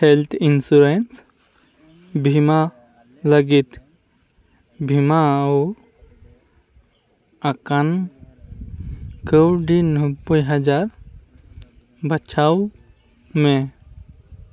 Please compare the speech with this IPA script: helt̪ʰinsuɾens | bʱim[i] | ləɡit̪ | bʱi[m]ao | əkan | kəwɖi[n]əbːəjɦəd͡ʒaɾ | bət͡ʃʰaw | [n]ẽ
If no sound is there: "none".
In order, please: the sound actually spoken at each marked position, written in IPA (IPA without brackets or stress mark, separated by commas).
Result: a, m, n, m